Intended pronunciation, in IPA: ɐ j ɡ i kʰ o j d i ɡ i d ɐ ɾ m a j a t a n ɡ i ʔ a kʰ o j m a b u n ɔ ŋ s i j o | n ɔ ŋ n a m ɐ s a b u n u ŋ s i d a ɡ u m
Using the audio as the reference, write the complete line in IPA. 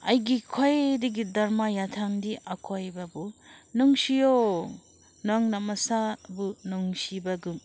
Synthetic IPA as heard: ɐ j ɡ i kʰ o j d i ɡ i d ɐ ɾ m a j a tʰ a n d i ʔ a kʰ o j b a b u n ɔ ŋ s i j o | n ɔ ŋ n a m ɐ s a b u n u ŋ s i b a ɡ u m

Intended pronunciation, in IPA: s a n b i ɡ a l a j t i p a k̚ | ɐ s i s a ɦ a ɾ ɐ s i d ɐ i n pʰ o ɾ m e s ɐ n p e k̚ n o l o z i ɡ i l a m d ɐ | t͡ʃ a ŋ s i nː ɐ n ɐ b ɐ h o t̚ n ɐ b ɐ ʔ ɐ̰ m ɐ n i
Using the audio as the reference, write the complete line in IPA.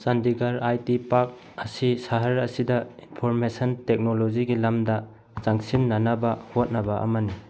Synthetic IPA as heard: s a n d i ɡ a ɾ a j t i p a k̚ | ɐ s i s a ɦ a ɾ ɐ s i d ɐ i n pʰ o ɾ m e s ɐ n t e k̚ n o l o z i ɡ i l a m d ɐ | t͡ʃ a ŋ s i nː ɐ n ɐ b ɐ h o t̚ n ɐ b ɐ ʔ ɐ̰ m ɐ n i

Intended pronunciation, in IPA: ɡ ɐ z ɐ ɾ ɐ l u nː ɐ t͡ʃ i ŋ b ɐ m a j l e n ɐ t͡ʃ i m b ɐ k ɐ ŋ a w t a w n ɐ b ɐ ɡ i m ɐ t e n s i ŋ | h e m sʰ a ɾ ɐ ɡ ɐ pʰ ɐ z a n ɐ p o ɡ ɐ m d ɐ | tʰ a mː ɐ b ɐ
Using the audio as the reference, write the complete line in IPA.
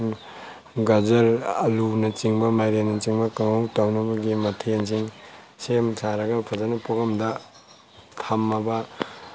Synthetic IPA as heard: ɡ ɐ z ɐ ɾ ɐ l u n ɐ t͡ʃ i ŋ b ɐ m a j ɾ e n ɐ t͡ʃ i ŋ b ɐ k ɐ ŋ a w t a w n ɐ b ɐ ɡ i m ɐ tʰ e n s i ŋ | s e m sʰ a ɾ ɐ ɡ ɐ pʰ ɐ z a n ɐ p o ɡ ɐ m d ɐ | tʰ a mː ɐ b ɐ

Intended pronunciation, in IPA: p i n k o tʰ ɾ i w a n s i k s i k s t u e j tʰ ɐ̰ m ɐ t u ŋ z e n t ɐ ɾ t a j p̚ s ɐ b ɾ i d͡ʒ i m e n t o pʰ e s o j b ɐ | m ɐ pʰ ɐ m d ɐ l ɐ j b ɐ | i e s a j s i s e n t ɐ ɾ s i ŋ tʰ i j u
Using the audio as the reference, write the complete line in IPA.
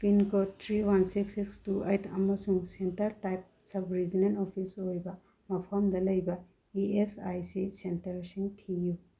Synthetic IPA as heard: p i n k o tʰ ɾ i w a n s i k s i k s t u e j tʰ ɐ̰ m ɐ s u ŋ s e n t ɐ ɾ t a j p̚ s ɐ b ɾ i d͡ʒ i n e n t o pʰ i s o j b ɐ | m ɐ pʰ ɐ m d ɐ l ɐ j b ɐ | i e s a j s i s e n t ɐ ɾ s i ŋ tʰ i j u

